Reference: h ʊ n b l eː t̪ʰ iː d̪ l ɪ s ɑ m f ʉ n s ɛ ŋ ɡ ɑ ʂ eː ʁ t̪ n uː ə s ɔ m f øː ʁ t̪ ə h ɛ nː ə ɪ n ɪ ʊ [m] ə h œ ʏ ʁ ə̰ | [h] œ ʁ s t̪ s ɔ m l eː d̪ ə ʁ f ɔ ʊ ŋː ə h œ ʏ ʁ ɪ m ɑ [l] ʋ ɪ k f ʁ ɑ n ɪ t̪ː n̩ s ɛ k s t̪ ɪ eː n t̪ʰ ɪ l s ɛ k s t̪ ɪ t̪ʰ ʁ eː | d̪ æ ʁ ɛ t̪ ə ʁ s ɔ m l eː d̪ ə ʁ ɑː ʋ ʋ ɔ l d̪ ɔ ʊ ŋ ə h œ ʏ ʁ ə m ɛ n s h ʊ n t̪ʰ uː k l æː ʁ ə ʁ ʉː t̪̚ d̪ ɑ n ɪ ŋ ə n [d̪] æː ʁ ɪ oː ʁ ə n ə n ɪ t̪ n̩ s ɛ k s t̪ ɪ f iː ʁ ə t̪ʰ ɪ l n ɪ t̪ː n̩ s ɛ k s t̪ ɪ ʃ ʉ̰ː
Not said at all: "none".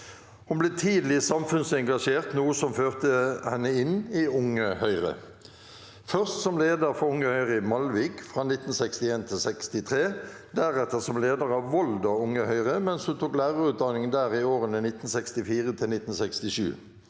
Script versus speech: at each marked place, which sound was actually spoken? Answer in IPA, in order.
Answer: ŋ, f, l, d̪

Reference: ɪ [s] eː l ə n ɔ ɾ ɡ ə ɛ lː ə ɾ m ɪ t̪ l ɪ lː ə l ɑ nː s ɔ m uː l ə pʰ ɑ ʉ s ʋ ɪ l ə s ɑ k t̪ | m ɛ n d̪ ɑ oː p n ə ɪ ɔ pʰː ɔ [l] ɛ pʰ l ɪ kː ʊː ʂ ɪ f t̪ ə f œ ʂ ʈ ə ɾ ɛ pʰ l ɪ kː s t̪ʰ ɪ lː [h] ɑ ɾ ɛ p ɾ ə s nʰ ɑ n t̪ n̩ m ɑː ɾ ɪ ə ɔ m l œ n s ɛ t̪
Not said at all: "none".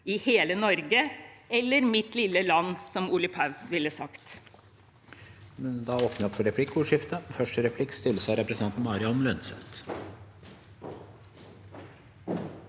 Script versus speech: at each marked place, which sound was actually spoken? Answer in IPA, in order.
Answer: h, ɾ, s

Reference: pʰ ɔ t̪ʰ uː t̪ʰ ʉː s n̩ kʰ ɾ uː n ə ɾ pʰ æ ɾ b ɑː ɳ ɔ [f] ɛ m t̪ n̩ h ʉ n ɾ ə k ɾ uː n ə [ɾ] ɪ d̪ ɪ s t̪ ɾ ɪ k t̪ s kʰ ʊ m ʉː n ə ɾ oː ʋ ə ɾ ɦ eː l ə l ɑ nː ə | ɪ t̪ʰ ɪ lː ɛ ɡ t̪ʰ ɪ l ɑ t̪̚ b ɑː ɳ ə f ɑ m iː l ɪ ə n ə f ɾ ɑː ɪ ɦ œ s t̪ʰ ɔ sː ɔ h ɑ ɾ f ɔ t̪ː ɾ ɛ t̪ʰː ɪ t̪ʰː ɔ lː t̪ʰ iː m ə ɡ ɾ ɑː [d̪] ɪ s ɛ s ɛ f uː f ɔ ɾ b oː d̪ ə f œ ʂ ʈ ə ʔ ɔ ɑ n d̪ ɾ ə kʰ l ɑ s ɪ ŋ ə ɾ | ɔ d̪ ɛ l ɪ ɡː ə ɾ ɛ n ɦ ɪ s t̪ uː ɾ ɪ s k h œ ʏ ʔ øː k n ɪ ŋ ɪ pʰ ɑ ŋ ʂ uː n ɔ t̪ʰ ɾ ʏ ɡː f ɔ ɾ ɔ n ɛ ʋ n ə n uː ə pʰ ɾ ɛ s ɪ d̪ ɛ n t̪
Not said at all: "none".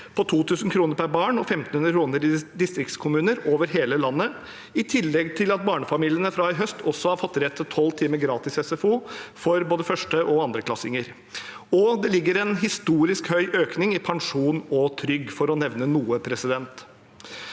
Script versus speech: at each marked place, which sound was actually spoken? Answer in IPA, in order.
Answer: f, ɾ, t̪

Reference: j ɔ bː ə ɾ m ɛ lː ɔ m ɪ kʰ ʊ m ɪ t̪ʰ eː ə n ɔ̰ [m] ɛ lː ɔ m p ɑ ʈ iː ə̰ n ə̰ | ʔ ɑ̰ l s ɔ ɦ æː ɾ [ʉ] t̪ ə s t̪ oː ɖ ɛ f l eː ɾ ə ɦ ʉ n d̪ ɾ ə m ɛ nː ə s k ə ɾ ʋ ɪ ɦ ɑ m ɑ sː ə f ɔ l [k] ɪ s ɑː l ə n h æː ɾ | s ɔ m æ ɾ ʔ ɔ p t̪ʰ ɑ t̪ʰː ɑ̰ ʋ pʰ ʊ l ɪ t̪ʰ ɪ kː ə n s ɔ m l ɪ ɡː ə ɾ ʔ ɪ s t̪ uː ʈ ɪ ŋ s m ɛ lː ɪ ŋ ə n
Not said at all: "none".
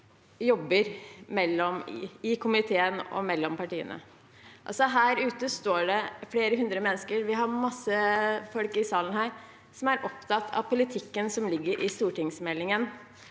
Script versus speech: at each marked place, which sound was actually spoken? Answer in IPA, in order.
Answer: m, ʉː, k

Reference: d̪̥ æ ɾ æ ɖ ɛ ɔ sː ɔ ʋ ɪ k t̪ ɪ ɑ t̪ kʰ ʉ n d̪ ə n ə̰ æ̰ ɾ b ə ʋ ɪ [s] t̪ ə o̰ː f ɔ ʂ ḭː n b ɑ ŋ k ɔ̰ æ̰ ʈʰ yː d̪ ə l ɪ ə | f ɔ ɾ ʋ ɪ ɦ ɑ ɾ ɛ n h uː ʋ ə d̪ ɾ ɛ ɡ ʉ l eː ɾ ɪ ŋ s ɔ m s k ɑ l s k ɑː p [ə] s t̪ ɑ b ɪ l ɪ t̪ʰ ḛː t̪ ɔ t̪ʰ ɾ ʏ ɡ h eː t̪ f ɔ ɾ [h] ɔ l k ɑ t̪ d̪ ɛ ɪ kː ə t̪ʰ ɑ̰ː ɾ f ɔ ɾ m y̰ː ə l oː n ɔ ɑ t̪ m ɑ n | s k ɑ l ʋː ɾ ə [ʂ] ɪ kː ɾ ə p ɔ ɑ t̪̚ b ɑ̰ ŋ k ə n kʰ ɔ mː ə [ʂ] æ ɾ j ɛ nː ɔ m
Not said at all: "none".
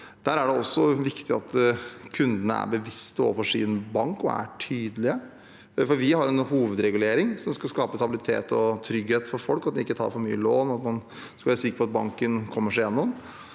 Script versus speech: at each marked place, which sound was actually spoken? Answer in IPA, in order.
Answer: s, ə, f, s, ʂ

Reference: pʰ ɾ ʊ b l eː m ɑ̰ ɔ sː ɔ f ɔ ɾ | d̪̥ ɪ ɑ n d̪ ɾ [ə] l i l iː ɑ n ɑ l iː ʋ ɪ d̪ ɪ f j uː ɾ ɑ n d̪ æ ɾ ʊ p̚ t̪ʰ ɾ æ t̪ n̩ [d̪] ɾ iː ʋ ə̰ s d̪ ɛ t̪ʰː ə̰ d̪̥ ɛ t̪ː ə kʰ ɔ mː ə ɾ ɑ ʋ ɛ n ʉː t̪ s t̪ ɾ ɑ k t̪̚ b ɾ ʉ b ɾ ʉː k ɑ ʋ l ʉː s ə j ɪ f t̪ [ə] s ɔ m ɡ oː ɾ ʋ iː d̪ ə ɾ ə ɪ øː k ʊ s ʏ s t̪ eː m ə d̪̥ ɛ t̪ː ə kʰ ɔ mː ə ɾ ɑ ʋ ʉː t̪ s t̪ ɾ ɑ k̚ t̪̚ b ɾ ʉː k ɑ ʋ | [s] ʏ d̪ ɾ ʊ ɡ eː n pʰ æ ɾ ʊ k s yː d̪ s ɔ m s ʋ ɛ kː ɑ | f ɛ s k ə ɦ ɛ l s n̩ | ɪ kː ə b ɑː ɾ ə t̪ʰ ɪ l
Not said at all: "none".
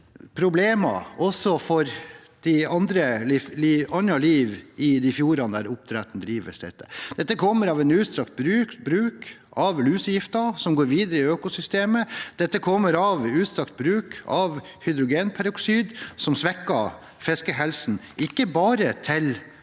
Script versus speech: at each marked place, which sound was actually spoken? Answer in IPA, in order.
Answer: ə, d̪, ɑ, h

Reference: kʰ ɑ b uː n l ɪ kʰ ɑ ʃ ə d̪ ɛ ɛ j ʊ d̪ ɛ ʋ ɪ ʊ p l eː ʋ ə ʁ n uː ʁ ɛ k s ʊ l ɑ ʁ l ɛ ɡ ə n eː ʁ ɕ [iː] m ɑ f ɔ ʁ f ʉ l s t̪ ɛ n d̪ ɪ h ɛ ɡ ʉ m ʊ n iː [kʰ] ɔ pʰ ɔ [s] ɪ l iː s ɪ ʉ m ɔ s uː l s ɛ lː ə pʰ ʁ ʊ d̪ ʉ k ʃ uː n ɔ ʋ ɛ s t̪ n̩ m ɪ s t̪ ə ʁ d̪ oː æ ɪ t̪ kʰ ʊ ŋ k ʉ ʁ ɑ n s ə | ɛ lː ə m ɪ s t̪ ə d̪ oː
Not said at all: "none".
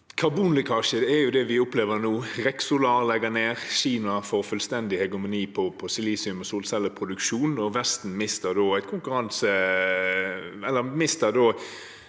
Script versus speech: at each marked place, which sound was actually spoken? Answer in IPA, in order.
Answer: iː, pʰ, s

